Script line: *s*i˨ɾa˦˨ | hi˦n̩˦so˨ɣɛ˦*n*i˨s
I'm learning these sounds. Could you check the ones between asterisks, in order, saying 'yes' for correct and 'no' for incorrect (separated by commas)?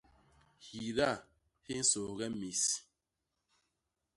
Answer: no, no